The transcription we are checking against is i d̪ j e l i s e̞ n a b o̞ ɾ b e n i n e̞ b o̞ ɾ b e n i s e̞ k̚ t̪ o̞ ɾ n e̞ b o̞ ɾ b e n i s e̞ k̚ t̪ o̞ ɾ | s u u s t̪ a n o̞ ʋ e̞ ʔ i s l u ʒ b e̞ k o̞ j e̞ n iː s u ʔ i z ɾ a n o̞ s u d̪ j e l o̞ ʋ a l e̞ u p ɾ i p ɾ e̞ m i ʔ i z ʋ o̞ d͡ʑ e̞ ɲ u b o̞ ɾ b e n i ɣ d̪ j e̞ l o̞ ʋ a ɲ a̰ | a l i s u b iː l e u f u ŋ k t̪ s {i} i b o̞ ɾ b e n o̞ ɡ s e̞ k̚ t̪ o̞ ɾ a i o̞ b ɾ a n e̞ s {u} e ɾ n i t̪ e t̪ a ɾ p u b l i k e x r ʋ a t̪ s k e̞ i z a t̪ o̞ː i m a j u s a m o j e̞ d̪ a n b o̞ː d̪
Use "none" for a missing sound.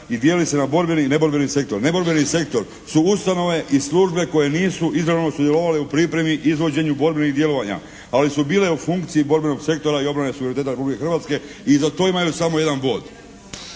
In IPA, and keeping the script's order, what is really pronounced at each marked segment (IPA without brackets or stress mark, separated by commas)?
i, u